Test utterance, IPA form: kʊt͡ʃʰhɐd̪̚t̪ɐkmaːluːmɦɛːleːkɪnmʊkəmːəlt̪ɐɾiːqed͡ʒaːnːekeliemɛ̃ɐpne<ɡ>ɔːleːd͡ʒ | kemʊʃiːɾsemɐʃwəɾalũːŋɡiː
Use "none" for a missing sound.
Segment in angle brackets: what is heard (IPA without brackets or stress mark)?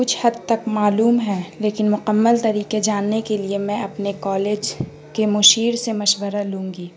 k